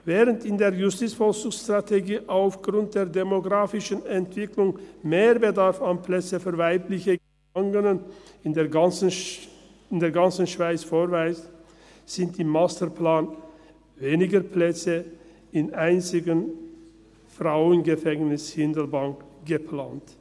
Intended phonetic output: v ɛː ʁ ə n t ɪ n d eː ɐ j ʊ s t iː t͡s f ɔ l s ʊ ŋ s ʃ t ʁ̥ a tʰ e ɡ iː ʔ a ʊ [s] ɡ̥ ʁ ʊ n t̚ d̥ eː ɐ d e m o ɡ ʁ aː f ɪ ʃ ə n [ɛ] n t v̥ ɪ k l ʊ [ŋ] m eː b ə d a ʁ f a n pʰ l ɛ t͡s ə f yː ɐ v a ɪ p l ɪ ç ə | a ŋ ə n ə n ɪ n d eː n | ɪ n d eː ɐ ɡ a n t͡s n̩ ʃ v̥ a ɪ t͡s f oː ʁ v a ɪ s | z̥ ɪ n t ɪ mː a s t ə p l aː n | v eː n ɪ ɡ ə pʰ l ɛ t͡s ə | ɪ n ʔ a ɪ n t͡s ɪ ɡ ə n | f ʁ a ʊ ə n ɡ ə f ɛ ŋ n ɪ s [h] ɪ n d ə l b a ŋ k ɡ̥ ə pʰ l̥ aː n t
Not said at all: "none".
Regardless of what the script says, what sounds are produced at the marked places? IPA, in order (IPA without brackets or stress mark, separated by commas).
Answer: f, ɛ, ŋ, h